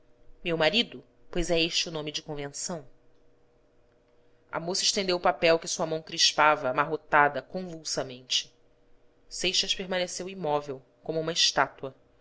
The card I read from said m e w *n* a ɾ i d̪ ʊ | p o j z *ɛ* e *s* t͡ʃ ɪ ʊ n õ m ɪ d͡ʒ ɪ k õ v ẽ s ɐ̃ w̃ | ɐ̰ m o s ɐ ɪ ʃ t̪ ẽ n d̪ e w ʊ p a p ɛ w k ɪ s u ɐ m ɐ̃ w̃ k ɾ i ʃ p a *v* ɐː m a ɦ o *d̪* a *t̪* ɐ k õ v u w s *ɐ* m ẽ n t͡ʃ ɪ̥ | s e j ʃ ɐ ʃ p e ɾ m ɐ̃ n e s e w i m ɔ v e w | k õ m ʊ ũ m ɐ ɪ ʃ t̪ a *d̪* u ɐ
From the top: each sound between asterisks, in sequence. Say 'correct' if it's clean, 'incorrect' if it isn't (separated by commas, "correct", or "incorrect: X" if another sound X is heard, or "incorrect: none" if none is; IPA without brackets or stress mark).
incorrect: m, correct, incorrect: ʃ, correct, incorrect: t̪, incorrect: d̪, correct, incorrect: t̪